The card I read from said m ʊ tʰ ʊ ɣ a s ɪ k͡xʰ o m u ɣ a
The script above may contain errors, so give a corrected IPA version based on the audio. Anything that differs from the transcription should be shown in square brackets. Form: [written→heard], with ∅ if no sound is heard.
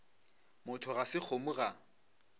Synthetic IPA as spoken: m ʊ tʰ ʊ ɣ a s ɪ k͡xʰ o m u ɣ a